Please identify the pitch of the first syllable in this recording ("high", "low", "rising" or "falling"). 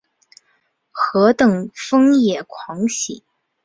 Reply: rising